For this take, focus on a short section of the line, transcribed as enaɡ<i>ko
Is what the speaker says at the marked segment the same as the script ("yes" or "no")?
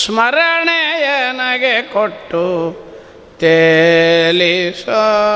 no